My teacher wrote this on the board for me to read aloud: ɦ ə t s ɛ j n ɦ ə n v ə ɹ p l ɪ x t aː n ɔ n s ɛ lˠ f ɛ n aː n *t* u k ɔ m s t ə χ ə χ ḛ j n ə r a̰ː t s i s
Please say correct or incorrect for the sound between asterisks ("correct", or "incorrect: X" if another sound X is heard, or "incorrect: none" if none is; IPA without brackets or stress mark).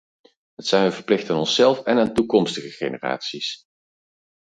correct